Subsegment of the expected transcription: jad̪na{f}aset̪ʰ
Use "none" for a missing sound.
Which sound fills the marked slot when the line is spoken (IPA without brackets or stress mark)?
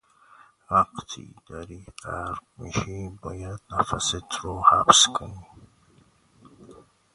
f